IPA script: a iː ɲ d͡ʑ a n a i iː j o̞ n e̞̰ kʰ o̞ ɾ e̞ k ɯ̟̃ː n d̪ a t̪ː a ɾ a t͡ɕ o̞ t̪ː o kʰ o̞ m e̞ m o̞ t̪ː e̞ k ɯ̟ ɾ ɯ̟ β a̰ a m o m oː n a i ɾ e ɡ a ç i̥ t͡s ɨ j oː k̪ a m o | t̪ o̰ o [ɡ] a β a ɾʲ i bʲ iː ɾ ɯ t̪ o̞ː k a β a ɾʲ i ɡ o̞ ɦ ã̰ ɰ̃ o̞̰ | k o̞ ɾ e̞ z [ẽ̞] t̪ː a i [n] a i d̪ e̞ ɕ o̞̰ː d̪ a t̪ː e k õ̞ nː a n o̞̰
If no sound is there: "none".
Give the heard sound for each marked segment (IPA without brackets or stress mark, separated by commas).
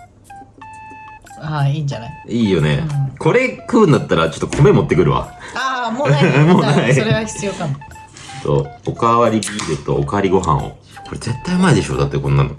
k, e̞, m